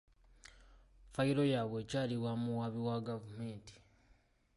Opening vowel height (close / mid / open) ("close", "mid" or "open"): open